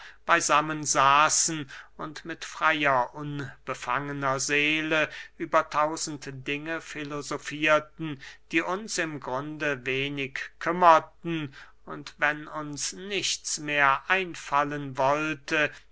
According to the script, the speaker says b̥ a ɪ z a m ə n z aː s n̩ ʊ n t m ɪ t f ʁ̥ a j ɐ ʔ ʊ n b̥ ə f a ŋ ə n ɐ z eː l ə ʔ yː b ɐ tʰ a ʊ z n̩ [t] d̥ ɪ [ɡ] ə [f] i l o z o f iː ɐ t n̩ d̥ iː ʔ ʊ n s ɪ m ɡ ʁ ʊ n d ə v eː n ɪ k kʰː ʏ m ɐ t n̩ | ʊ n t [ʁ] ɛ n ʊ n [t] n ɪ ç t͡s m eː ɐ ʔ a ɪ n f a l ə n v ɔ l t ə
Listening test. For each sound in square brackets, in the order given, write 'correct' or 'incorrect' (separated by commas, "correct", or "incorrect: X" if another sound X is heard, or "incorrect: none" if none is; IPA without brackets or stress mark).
correct, incorrect: ŋ, correct, incorrect: v, incorrect: s